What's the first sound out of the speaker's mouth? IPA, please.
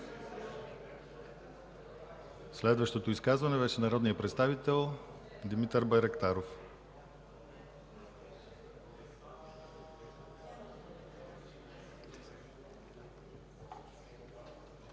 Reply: s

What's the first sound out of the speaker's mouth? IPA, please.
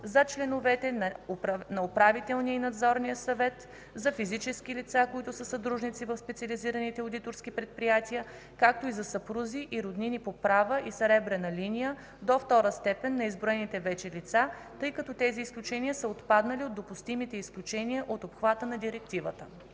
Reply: z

